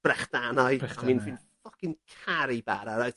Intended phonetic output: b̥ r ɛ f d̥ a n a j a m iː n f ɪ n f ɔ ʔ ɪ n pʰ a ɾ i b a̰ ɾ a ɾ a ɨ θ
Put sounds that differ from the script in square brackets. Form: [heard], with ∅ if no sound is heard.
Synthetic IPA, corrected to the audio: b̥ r ɛ [χ] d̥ a n a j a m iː n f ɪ n f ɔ [k] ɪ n [kʰ] a ɾ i b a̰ ɾ a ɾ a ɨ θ